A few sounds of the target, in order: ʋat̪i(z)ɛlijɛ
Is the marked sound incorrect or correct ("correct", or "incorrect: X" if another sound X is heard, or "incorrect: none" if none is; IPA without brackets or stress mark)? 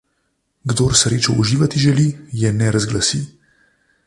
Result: incorrect: ʒ